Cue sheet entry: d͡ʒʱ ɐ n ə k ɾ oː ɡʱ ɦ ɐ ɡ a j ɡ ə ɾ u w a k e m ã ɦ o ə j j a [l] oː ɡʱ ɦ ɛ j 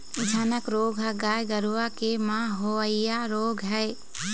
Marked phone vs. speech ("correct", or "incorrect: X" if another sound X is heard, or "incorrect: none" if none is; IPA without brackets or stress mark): incorrect: ɾ